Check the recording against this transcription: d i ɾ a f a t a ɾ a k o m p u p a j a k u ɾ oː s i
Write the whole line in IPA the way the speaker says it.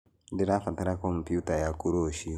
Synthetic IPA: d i ɾ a f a t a ɾ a k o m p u t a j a k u ɾ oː ʃ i

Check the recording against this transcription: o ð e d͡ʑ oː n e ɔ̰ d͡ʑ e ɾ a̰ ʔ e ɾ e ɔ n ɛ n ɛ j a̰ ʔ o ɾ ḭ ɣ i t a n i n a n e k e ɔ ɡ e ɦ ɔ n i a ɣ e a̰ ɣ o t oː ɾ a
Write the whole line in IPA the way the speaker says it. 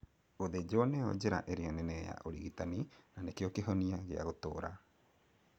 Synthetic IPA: o ð e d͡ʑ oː n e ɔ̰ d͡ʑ e ɾ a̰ ʔ e ɾ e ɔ n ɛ n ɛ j a̰ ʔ o ɾ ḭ ɣ i t a n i n a n e k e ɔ k e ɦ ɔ n i a ɣ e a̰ ɣ o t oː ɾ a

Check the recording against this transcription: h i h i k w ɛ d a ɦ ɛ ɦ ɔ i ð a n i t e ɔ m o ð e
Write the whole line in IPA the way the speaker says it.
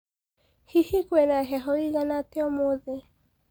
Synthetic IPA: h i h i k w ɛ n a ɦ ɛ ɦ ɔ i ɣ a n a t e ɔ m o ð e

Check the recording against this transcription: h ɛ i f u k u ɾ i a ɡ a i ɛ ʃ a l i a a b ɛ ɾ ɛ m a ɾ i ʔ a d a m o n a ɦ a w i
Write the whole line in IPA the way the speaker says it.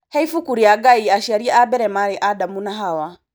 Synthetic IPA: h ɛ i f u k u ɾ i a ɡ a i a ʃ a ɾ i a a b ɛ ɾ ɛ m a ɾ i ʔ a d a m u n a ɦ a w a

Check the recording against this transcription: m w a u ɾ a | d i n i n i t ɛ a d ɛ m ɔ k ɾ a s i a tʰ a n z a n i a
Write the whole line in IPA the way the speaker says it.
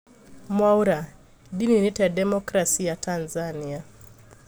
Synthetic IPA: m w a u ɾ a | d i n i n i t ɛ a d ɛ m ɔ k ɾ a s i a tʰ a n z a n i a

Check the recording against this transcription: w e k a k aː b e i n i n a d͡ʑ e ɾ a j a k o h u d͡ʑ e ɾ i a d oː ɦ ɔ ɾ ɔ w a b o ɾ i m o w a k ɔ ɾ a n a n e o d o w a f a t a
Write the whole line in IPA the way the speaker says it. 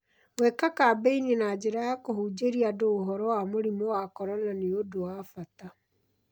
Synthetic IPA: w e k a k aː b e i n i n a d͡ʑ e ɾ a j a k o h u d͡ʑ e ɾ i a d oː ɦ ɔ ɾ ɔ w a m o ɾ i m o w a k ɔ ɾ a n a n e o d o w a f a t a

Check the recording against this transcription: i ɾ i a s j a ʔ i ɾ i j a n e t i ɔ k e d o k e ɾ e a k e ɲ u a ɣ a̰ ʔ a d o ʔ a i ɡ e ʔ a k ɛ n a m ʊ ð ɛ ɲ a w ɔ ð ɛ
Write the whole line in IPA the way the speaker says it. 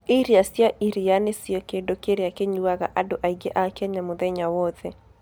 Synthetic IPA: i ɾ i a s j a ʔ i ɾ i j a n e s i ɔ k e d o k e ɾ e a k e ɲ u a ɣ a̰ ʔ a d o ʔ a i ɡ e ʔ a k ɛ ɲ a m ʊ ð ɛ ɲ a w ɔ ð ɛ

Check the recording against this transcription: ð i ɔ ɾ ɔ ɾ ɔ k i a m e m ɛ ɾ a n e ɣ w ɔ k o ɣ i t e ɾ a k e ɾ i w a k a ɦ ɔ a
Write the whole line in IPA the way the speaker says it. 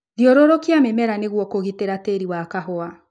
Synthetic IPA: ð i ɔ ɾ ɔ ɾ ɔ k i a m e m ɛ ɾ a n e ɣ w ɔ k o ɣ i t e ɾ a t e ɾ i w a k a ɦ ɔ a

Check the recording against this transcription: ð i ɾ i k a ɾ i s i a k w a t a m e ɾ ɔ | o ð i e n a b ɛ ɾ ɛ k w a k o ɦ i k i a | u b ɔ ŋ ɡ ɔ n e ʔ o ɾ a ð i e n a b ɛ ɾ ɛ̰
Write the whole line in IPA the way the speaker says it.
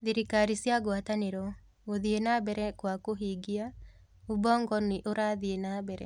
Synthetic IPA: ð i ɾ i k a ɾ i s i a ɡ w a t a n e ɾ ɔ | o ð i e n a b ɛ ɾ ɛ k w a k o ɦ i ɡ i a | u b ɔ ŋ ɡ ɔ n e ʔ o ɾ a ð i e n a b ɛ ɾ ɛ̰

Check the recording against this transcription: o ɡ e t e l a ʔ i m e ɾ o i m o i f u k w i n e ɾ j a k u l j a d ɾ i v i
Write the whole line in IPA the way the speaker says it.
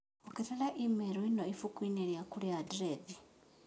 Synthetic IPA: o k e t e l a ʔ i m e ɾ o i n o i f u k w i n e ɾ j a k u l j a d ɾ e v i

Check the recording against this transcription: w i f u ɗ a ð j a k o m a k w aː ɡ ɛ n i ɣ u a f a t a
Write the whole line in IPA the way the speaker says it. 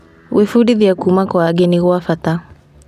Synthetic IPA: w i f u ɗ i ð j a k u m a k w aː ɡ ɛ n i ɣ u a f a t a

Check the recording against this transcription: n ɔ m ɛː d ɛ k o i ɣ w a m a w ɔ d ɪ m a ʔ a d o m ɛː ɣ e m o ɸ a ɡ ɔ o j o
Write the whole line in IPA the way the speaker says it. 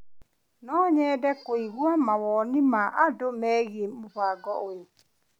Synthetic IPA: n ɔ ɲ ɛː d ɛ k o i ɣ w a m a w ɔ n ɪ m a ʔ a d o m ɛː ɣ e m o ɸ a ɡ ɔ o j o

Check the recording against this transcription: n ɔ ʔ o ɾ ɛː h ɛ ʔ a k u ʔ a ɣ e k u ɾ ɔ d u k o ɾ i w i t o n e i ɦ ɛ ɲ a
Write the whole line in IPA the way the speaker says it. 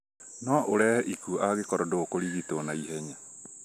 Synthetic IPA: n ɔ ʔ o ɾ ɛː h ɛ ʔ i k u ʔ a ɣ e k ɔ ɾ ɔ d o k o ɾ i ɣ i t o n a i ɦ ɛ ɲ a

